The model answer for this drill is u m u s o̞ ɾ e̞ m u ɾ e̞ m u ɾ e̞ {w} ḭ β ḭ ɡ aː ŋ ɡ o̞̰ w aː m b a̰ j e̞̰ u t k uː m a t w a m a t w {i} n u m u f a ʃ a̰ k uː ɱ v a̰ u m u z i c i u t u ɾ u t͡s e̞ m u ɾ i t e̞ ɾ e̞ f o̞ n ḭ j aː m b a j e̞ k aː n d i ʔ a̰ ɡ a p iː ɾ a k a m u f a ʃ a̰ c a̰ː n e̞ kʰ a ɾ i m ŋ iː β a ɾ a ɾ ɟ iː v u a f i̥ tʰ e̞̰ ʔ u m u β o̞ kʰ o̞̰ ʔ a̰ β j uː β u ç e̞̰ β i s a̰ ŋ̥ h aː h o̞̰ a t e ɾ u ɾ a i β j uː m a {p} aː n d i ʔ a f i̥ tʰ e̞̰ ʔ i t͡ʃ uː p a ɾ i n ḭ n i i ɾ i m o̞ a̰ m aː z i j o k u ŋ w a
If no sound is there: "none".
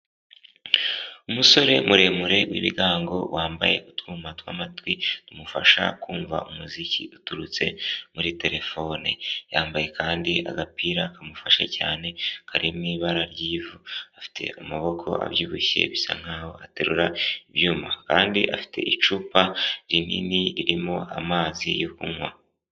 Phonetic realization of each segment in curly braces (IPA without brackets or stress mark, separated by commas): w, i, k